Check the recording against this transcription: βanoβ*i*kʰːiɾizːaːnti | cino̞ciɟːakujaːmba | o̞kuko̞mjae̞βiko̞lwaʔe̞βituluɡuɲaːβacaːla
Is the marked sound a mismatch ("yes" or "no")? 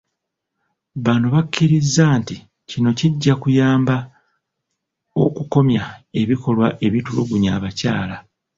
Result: yes